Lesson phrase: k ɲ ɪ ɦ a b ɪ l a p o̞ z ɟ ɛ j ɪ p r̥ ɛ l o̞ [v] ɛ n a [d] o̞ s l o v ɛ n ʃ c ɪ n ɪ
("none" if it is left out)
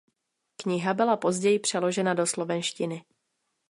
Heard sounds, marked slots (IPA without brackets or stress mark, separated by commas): ʒ, d